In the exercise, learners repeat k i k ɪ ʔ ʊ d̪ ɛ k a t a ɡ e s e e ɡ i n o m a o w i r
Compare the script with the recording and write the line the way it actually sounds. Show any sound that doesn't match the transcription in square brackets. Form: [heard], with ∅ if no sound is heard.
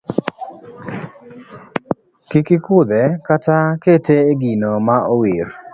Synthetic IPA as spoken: k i k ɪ [k] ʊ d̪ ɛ k a t a [k] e [t] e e ɡ i n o m a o w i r